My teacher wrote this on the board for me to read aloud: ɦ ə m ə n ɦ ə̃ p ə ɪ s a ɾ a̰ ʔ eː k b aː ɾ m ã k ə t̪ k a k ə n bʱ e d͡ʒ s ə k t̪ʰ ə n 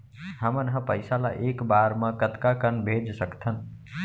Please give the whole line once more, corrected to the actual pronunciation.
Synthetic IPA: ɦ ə m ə n ɦ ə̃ p ə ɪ s a l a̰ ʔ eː k b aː ɾ m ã k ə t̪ k a k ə n bʱ e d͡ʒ s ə k t̪ʰ ə n